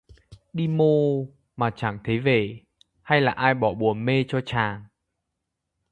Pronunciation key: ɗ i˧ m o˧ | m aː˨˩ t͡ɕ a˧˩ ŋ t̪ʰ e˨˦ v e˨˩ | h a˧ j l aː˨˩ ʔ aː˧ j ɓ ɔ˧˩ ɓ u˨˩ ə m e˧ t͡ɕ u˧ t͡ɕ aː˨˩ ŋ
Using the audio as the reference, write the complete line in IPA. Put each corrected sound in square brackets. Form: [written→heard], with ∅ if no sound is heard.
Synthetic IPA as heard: ɗ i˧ m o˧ | m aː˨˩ t͡ɕ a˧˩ ŋ t̪ʰ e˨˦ v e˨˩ | h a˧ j l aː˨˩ ʔ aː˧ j ɓ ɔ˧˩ ɓ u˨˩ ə m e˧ t͡ɕ [u˧→ɔ˧] t͡ɕ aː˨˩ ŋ